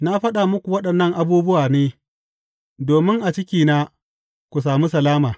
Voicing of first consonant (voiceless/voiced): voiced